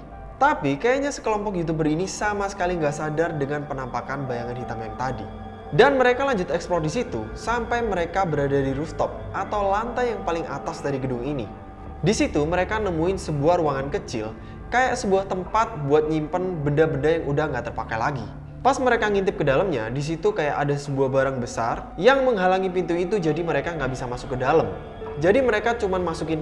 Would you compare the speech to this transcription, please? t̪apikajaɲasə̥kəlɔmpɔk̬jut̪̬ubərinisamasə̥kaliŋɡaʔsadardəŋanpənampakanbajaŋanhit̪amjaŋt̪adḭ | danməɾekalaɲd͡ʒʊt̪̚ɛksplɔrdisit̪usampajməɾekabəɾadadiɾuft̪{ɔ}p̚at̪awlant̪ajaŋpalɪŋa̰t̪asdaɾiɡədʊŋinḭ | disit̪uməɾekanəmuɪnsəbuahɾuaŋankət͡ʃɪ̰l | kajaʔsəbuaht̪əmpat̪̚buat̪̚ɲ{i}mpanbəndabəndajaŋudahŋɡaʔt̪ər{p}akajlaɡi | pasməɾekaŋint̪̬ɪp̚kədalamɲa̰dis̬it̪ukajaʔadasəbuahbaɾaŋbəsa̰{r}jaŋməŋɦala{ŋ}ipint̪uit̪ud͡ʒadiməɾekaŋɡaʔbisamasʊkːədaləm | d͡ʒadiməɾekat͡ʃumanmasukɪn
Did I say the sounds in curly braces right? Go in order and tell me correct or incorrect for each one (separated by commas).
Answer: correct, correct, correct, correct, correct